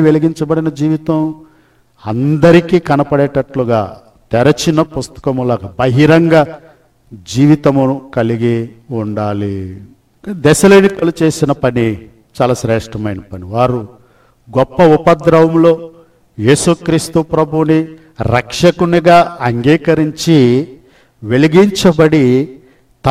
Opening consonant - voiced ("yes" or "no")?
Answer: yes